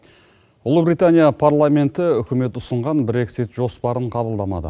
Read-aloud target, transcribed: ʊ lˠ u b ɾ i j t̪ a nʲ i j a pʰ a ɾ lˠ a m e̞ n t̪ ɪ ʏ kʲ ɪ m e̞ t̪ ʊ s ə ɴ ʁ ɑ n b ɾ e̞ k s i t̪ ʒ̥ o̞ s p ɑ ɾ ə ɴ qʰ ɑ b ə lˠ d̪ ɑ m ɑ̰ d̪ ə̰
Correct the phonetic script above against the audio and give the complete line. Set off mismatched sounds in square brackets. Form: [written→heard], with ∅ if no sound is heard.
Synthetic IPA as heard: ʊ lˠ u b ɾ i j t̪ a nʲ i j a pʰ a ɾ lˠ a m e̞ n t̪ ɪ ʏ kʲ ɪ m e̞ t̪ ʊ s ə ɴ ʁ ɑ n b ɾ e̞ k s i t̪ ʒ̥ o̞ s p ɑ ɾ ə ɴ qʰ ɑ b ə lˠ d̪ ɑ m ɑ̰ d̪ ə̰